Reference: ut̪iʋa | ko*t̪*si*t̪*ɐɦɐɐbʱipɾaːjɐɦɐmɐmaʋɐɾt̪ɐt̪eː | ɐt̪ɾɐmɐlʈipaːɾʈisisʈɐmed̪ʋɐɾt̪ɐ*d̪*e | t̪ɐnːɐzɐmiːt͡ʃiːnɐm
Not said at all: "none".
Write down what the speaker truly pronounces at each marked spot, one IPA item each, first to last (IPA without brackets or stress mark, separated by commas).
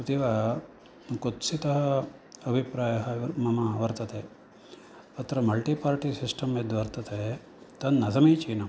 t̪, t̪, t̪